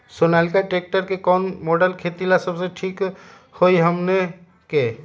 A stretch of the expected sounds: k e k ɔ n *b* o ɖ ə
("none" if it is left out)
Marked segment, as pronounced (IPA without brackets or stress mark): m